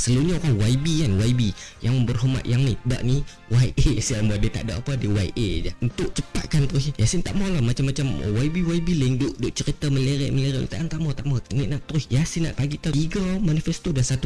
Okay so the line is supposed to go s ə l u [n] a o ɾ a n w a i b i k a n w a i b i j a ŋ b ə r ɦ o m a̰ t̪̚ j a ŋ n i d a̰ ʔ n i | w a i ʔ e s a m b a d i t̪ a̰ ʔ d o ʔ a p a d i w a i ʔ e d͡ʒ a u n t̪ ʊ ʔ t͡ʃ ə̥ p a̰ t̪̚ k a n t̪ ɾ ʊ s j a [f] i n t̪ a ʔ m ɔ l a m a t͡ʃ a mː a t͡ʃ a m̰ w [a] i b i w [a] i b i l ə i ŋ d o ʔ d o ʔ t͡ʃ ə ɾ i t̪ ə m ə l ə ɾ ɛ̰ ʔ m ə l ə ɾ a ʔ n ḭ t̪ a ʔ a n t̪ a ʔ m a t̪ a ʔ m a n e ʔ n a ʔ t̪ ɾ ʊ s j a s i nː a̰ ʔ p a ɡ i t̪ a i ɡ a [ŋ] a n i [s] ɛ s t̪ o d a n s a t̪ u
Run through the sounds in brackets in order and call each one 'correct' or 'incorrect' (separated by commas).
incorrect, incorrect, correct, correct, incorrect, incorrect